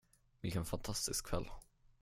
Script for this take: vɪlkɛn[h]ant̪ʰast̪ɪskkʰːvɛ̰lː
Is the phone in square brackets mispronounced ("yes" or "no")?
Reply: yes